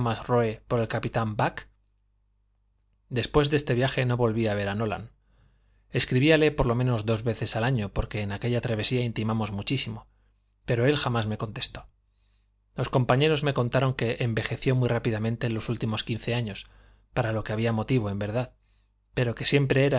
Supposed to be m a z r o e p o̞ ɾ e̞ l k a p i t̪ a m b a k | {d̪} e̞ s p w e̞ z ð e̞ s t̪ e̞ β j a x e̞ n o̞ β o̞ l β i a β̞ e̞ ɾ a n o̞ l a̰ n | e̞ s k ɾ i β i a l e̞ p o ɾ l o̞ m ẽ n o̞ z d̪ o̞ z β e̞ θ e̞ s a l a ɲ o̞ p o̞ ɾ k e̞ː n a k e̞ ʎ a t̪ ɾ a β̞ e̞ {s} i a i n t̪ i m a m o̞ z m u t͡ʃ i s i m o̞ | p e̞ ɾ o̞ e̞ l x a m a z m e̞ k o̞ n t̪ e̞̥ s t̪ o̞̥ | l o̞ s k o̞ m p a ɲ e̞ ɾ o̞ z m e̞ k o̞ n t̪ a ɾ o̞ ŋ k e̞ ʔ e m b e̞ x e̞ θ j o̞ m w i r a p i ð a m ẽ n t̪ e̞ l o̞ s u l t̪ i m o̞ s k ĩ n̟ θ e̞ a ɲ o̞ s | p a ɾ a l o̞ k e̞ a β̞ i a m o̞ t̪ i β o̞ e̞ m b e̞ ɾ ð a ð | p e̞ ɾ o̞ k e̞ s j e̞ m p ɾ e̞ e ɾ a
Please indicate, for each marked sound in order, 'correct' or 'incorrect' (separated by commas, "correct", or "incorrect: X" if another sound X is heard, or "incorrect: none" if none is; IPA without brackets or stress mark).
correct, correct